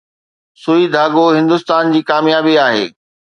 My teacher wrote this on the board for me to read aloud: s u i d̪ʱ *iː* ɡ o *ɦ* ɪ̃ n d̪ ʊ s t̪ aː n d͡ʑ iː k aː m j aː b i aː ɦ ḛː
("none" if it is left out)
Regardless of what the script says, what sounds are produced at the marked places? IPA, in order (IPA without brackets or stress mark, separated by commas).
aː, ɦ